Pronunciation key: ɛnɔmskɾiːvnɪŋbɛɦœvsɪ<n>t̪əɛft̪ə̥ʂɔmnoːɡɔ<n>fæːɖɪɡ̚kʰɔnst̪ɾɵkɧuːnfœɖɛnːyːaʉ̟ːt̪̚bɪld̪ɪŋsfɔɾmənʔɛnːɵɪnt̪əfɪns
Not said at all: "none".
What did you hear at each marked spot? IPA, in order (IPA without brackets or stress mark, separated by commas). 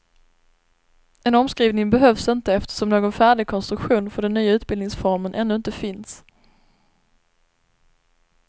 n, n